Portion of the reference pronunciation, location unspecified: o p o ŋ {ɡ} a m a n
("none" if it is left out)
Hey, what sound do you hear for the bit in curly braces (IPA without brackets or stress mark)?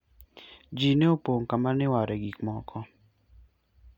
k